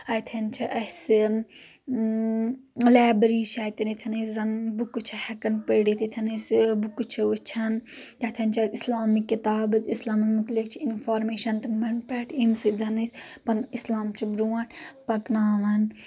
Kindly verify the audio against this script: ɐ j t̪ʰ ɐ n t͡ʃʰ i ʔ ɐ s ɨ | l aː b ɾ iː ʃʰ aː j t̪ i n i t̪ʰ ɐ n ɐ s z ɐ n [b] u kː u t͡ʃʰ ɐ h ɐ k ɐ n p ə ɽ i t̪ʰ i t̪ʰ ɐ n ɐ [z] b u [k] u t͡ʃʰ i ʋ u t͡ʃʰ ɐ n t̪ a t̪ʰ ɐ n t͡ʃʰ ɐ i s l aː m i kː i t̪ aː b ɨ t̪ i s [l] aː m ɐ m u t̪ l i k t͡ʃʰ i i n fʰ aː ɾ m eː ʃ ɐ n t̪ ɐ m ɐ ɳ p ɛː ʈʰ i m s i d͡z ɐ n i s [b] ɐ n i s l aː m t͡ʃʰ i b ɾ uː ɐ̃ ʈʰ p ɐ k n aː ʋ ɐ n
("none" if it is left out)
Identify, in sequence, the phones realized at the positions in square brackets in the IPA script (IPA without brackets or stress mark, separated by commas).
b, s, k, l, p